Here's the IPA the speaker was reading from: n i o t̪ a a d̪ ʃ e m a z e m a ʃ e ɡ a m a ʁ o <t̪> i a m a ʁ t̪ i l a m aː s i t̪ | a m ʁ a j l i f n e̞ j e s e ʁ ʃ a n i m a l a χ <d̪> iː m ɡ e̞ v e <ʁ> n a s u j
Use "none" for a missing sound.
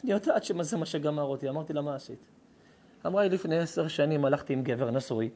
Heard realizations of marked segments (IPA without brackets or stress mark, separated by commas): t̪, t̪, ʁ